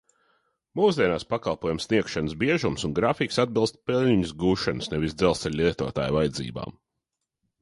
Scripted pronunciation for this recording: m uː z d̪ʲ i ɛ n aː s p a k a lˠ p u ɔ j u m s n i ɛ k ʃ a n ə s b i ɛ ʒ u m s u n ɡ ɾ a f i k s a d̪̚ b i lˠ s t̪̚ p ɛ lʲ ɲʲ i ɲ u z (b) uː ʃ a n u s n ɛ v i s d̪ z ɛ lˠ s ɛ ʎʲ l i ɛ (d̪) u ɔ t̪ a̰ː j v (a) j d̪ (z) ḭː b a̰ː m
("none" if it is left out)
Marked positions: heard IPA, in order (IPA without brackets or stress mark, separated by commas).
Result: ɡ, t̪, a, z